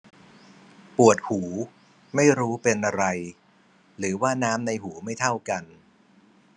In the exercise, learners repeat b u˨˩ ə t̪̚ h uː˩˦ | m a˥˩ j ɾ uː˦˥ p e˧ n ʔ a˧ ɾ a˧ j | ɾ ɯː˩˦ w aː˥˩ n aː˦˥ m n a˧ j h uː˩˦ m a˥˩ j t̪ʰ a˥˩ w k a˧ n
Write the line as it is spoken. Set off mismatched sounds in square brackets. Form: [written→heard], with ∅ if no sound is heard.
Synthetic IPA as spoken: [b→p] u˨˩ ə t̪̚ h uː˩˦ | m a˥˩ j ɾ uː˦˥ p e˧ n ʔ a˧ ɾ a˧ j | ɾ ɯː˩˦ w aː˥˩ n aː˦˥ m n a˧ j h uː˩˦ m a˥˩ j t̪ʰ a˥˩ w k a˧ n